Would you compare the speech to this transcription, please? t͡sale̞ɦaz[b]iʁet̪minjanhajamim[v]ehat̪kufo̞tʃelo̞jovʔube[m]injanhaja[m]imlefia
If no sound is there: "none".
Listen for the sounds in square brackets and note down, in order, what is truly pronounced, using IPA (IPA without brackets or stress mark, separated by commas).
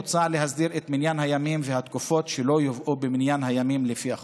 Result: d, v, m, m